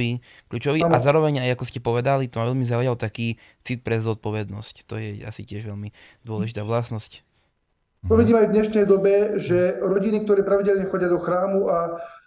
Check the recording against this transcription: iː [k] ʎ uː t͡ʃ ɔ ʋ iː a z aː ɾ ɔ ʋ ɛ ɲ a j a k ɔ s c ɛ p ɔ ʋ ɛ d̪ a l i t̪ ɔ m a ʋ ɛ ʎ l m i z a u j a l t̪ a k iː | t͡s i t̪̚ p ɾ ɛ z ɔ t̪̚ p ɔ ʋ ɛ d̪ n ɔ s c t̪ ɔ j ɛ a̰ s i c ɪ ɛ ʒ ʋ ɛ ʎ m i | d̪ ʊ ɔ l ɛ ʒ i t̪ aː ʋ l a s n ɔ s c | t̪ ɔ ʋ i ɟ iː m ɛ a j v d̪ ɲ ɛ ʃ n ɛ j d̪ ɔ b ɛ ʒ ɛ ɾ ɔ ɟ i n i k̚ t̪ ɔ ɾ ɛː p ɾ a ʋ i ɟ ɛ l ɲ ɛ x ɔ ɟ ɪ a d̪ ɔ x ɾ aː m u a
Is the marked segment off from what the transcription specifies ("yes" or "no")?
no